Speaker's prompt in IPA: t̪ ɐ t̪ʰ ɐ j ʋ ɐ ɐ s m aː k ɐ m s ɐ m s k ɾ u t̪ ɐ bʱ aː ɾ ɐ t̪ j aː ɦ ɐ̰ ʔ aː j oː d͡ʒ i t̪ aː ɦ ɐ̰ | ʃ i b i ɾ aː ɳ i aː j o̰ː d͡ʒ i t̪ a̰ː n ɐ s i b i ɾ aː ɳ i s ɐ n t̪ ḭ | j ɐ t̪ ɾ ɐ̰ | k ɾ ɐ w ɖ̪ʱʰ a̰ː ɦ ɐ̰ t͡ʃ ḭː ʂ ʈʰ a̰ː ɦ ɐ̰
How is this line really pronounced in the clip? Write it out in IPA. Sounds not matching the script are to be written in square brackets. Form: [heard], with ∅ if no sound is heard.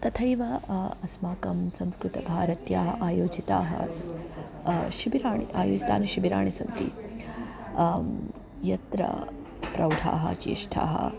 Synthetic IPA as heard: t̪ ɐ t̪ʰ ɐ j ʋ ɐ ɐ s m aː k ɐ m s ɐ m s k ɾ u t̪ ɐ bʱ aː ɾ ɐ t̪ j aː ɦ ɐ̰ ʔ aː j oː d͡ʒ i t̪ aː ɦ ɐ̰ | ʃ i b i ɾ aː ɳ i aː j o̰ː d͡ʒ i t̪ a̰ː n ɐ [ʃ] i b i ɾ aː ɳ i s ɐ n t̪ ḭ | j ɐ t̪ ɾ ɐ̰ | [p] ɾ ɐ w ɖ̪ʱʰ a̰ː ɦ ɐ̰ t͡ʃ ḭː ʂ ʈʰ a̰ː ɦ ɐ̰